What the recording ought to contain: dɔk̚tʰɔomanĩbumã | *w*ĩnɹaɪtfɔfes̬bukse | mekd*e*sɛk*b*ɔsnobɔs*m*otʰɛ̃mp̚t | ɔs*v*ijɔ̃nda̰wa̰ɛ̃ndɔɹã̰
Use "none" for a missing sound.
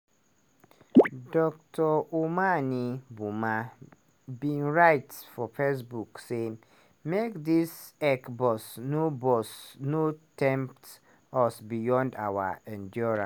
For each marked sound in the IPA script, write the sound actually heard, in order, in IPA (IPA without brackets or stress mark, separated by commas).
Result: b, i, b, n, b